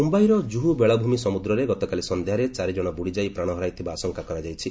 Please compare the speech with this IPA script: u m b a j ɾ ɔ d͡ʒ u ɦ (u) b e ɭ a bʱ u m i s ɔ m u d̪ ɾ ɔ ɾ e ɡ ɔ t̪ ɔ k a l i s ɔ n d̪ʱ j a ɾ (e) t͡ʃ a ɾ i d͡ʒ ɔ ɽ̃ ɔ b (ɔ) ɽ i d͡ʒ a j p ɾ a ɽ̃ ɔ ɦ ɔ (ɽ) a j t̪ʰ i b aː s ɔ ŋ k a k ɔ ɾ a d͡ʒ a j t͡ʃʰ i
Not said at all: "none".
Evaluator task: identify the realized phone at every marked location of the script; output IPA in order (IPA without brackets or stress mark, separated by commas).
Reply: u, e, u, ɾ